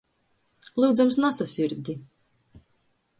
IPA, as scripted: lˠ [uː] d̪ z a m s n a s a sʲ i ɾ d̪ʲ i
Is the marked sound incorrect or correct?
correct